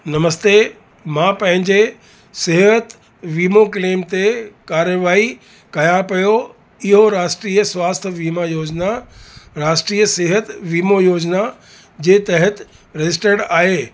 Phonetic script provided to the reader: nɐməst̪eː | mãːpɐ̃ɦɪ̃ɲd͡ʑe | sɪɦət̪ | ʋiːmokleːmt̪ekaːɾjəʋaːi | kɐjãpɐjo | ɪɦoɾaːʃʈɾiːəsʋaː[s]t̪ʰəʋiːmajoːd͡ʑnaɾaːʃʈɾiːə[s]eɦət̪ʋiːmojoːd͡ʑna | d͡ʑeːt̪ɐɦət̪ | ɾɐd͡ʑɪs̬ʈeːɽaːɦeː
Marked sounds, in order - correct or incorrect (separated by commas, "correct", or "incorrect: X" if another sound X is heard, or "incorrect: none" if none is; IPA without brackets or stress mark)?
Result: correct, correct